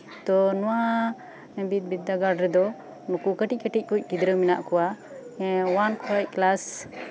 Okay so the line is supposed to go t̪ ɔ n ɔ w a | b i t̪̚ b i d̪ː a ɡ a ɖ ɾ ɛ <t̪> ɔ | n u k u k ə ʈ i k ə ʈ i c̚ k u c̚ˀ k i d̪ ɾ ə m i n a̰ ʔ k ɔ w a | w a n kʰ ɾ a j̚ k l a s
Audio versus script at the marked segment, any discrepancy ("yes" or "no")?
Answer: yes